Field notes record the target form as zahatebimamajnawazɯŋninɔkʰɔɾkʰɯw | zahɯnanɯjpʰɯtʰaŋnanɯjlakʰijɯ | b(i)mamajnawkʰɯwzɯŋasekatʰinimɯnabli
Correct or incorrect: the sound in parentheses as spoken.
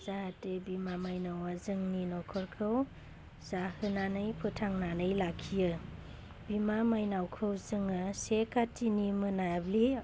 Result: correct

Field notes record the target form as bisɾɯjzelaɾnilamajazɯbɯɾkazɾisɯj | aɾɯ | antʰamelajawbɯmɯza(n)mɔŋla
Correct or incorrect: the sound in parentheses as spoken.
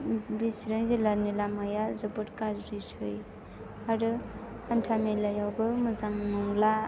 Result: incorrect: ŋ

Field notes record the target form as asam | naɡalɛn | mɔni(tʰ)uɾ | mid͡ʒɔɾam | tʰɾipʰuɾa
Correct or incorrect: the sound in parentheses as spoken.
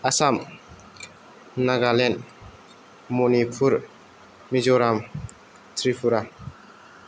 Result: incorrect: pʰ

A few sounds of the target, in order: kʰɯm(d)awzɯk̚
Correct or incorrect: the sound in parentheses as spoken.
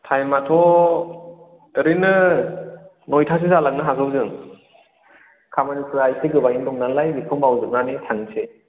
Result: incorrect: b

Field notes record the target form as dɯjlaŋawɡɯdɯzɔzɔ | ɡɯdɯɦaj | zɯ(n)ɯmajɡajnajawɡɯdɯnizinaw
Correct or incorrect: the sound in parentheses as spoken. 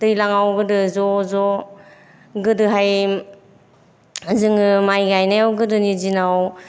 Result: incorrect: ŋ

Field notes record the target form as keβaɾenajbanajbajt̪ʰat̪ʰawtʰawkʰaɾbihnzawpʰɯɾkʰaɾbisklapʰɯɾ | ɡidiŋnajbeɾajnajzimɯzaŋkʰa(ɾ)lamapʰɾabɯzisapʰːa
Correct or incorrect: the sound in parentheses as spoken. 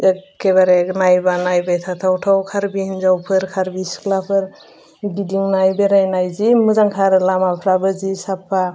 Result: correct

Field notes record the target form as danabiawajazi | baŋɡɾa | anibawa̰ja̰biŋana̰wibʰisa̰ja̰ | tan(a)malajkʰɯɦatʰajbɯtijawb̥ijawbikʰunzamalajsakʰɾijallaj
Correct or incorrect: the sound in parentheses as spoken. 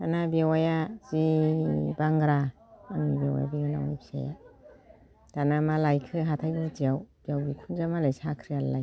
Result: correct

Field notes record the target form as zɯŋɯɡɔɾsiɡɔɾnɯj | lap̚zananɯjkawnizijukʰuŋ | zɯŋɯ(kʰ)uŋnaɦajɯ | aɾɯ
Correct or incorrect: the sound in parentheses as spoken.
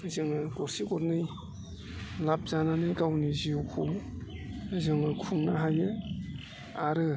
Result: correct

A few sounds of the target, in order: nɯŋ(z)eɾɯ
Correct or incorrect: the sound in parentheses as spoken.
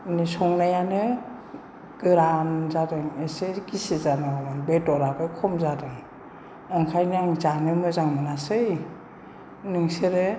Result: incorrect: s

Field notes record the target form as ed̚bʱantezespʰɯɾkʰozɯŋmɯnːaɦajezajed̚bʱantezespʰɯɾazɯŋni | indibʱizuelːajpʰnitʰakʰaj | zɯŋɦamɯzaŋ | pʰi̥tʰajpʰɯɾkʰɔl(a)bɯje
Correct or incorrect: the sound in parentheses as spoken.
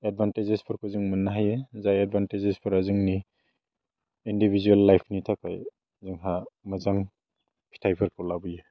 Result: correct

